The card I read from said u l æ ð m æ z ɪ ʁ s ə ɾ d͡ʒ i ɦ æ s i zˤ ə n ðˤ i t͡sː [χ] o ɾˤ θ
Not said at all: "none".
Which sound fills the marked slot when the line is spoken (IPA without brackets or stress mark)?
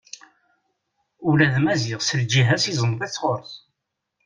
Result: ʁ